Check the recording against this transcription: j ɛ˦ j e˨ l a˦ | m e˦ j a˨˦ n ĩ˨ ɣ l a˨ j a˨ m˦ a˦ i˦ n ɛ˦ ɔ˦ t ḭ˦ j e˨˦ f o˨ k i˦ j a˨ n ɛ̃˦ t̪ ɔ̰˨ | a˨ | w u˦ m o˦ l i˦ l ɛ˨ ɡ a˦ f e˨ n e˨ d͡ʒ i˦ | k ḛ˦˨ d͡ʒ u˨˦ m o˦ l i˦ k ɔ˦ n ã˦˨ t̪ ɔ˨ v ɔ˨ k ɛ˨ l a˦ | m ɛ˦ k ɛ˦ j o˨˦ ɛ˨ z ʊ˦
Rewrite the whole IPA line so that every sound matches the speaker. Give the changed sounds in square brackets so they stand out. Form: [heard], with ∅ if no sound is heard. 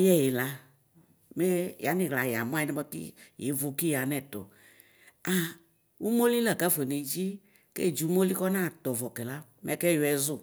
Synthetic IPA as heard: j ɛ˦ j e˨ l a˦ | m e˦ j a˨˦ n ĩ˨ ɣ l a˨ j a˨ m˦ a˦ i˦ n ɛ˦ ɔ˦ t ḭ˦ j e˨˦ [v] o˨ k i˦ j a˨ n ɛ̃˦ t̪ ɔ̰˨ | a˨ | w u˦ m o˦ l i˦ l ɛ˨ ɡ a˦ f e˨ n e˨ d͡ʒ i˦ | k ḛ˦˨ d͡ʒ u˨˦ m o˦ l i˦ k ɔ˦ n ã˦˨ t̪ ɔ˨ v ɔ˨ k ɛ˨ l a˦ | m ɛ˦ k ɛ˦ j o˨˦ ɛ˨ z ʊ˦